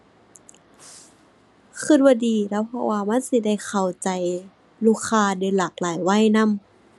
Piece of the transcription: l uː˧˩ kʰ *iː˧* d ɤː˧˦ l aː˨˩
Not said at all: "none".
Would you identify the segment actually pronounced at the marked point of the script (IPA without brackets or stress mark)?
aː˧